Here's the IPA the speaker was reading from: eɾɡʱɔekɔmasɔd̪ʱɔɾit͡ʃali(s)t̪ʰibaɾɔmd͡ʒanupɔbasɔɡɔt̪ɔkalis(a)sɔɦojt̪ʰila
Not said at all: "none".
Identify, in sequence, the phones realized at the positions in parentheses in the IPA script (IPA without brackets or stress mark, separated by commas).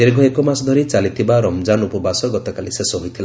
none, e